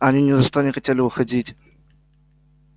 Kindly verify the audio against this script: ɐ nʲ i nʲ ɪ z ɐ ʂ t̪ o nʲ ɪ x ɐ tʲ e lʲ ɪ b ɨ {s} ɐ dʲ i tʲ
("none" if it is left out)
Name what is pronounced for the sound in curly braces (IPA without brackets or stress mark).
x